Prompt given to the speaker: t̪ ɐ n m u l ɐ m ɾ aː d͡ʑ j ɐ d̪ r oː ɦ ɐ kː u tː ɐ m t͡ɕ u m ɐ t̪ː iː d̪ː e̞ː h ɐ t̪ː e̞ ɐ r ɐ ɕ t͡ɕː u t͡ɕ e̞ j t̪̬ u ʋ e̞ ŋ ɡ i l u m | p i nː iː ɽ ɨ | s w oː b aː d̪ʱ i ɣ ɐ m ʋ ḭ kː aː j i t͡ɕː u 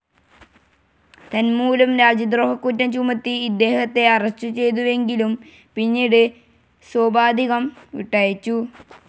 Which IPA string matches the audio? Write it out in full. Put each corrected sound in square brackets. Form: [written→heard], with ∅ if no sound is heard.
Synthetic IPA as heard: t̪ ɐ n m [u→uː] l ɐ m ɾ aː d͡ʑ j ɐ d̪ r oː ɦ ɐ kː u tː ɐ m t͡ɕ u m ɐ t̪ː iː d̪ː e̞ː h ɐ t̪ː e̞ ɐ r ɐ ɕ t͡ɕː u t͡ɕ e̞ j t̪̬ u ʋ e̞ ŋ ɡ i l u m | p i nː iː ɽ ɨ | s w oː b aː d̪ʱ i ɣ ɐ m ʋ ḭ [kː→ʈː] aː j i t͡ɕː u